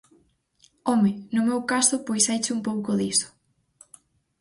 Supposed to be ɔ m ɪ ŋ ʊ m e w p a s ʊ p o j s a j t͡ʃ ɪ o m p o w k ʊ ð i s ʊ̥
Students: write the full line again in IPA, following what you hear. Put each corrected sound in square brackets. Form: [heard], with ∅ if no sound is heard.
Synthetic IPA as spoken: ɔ m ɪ [n] ʊ m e w [k] a s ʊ p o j s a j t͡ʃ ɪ [u] m p o w k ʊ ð i s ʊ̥